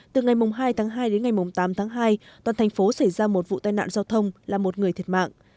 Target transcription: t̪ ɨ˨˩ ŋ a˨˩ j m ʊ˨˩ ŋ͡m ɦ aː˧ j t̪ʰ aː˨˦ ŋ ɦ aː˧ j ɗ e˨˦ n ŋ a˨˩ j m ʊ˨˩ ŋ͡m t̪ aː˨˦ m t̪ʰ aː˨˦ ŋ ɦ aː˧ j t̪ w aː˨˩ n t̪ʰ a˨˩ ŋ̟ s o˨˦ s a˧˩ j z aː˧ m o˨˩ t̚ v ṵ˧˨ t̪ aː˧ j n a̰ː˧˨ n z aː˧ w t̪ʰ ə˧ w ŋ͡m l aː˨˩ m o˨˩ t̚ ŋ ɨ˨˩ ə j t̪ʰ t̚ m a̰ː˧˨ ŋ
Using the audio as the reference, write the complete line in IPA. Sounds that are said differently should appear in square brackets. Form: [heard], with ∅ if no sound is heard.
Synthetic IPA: t̪ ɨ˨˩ ŋ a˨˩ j m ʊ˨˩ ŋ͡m ɦ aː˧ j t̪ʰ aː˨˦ ŋ ɦ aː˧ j ɗ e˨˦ n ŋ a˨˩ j m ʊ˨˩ ŋ͡m t̪ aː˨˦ m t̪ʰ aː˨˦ ŋ ɦ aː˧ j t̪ w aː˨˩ n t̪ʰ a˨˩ ŋ̟ [f] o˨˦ s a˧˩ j z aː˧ m o˨˩ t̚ v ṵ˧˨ t̪ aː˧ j n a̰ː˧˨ n z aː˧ w t̪ʰ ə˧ w ŋ͡m l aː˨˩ m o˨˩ t̚ ŋ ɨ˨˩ ə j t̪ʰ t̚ m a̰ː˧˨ ŋ